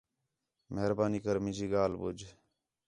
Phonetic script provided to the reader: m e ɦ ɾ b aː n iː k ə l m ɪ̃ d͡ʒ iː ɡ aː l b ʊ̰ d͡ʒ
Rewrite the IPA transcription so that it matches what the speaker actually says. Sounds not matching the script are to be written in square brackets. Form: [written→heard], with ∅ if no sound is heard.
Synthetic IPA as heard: m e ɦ ɾ b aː n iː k ə [l→ɾ] m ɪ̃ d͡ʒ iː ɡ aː l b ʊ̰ d͡ʒ